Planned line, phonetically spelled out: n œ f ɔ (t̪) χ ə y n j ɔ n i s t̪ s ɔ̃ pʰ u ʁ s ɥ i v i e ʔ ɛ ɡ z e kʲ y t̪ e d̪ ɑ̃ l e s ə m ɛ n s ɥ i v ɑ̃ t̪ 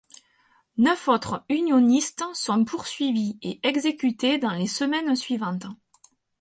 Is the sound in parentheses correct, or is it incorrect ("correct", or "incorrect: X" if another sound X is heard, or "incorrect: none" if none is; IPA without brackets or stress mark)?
correct